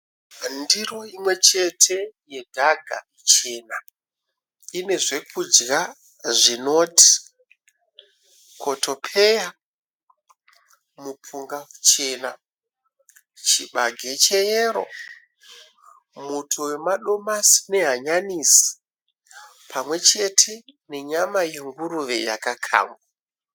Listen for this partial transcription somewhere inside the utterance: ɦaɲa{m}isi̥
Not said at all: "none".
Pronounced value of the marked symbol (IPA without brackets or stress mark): n